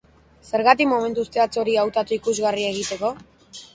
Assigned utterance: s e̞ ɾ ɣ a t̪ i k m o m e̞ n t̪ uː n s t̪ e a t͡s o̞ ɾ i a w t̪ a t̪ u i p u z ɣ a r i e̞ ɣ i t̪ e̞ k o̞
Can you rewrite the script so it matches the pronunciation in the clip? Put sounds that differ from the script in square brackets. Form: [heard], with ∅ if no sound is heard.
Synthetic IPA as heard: s e̞ ɾ ɣ a t̪ i k m o m e̞ n t̪ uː [∅] s t̪ e a t͡s o̞ ɾ i a w t̪ a t̪ u i [k] u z ɣ a r i e̞ ɣ i t̪ e̞ k o̞